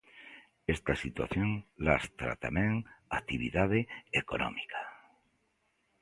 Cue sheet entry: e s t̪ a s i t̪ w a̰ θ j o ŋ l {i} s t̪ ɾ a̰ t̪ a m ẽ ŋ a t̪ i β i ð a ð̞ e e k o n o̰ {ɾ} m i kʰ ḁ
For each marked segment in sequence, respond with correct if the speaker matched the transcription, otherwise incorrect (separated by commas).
incorrect, incorrect